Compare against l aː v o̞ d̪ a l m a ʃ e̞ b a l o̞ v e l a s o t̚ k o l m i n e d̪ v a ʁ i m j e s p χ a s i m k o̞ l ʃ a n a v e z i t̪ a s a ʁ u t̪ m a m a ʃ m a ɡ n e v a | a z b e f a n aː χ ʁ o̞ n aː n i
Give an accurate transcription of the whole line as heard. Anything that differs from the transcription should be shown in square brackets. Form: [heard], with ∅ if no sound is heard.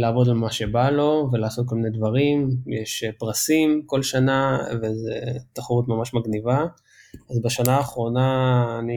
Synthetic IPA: l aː v o̞ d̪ a l m a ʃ e̞ b a l o̞ v e l a s o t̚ k o l m i n e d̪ v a ʁ i m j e [ʃ] p [ʁ] a s i m k o̞ l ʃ a n a v e z [e] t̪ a [χ] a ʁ u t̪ m a m a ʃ m a ɡ n [i] v a | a z b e [ʃ] a n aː χ ʁ o̞ n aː n i